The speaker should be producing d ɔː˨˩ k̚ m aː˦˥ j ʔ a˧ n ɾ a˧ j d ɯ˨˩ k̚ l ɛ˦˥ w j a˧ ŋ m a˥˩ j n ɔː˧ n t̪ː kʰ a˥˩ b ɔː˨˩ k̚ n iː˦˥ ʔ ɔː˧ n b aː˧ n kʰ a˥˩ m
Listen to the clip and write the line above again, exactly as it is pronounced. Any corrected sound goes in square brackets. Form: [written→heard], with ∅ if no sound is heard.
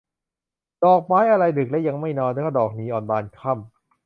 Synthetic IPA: d ɔː˨˩ k̚ m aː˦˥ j ʔ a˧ [n→∅] ɾ a˧ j d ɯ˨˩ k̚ l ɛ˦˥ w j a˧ ŋ m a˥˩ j n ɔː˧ n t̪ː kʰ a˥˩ [b→d] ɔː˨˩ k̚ n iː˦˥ ʔ [ɔː˧→ɔː˨˩] n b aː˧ n kʰ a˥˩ m